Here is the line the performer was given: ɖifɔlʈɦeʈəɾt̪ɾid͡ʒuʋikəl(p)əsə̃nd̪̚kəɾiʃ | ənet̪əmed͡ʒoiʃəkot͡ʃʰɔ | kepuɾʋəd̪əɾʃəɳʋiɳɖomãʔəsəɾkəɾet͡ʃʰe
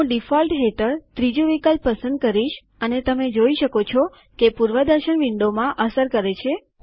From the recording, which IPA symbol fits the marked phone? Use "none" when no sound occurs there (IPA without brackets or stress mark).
p